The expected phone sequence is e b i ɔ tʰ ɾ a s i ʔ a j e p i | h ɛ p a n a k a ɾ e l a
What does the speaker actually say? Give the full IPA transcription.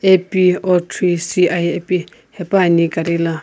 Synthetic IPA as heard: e p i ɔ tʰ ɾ i s i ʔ a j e p i | h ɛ p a n i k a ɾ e l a